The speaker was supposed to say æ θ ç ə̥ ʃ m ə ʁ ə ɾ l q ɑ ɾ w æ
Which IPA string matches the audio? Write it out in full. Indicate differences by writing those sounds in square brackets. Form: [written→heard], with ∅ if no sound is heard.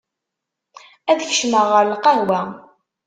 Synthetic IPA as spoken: æ [θ→ð] ç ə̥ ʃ m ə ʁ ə ɾ l q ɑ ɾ w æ